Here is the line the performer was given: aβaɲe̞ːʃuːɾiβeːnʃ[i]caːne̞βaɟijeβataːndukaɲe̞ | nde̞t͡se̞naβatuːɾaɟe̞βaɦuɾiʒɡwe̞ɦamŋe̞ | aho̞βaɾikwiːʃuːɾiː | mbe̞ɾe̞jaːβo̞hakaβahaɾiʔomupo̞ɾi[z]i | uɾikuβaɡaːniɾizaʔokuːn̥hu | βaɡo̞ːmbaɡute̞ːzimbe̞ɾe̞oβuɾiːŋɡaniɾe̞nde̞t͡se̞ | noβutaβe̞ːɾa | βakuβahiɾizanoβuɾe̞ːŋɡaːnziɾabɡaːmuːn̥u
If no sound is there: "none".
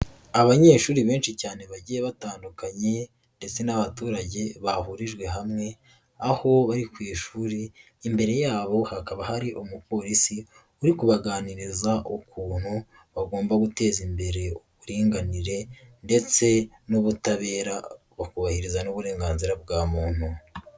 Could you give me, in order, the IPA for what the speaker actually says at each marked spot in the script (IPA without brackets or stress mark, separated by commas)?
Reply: i, s